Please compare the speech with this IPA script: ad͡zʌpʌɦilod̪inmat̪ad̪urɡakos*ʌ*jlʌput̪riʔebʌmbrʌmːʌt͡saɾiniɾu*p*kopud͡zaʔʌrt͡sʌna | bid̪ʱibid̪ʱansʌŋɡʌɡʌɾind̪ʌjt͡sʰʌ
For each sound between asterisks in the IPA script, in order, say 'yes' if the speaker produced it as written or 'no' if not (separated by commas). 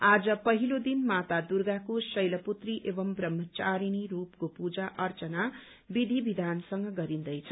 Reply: yes, yes